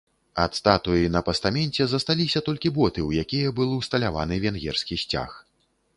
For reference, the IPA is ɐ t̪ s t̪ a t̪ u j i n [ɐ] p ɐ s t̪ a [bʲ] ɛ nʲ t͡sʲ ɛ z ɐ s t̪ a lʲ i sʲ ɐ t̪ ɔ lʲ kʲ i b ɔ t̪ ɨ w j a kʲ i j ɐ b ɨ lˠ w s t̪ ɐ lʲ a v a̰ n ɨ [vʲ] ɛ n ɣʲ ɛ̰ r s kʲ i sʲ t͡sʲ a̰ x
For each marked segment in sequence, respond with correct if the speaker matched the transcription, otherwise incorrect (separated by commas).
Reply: correct, incorrect, correct